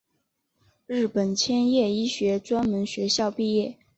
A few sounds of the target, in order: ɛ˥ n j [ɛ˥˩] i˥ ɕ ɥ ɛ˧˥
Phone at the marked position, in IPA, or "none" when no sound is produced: ɛ˥˩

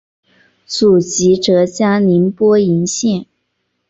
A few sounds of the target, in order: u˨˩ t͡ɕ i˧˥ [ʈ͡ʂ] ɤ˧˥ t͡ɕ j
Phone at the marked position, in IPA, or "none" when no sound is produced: ʈ͡ʂ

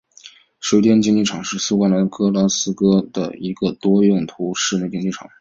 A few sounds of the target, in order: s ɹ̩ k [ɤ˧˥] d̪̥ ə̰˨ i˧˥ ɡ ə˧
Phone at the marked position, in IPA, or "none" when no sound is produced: ɤ˥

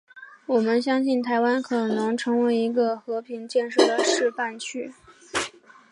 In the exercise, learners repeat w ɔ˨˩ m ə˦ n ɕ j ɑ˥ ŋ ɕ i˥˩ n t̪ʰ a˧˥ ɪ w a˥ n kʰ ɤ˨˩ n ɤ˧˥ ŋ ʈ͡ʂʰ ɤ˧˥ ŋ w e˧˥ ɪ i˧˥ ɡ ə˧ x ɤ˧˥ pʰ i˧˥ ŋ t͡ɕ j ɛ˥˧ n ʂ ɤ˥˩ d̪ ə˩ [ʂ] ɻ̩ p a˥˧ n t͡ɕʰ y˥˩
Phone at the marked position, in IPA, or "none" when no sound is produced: ʂ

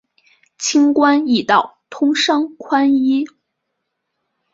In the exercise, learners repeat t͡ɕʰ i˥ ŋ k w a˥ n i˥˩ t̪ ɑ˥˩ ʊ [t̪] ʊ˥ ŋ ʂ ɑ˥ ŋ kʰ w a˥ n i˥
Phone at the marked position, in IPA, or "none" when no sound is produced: t̪ʰ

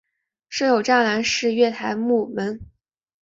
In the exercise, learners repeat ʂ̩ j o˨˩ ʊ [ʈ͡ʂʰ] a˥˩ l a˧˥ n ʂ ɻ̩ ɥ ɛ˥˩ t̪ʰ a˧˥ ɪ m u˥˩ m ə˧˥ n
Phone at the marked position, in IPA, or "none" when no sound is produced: ʈ͡ʂ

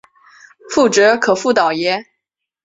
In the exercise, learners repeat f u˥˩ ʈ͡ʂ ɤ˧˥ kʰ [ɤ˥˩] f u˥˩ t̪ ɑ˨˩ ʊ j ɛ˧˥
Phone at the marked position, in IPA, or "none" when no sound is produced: ɤ˨˩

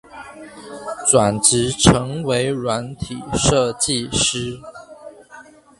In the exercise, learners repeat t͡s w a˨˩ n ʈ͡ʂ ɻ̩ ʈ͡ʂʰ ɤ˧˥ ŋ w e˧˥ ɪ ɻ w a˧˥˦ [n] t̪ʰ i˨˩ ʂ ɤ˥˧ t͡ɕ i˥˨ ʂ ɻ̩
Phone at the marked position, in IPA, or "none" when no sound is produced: n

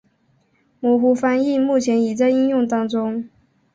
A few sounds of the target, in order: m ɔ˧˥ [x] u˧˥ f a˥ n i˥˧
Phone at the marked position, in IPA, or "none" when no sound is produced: x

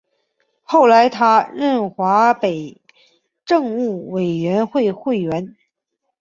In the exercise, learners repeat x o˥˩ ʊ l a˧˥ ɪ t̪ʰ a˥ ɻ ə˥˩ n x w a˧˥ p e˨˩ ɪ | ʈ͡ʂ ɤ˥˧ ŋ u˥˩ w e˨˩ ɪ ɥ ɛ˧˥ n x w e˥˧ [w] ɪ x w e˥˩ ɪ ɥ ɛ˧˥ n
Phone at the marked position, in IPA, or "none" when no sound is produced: none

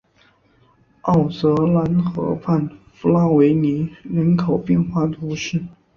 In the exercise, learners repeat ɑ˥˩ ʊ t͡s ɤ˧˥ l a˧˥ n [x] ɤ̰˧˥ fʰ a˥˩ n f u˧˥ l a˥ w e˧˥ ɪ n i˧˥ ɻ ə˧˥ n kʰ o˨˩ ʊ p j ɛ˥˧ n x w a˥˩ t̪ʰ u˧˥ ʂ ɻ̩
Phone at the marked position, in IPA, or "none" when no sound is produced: x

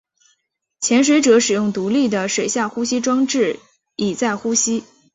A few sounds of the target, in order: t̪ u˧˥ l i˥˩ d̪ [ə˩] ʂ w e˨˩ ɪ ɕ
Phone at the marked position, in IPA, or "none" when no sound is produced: ə˩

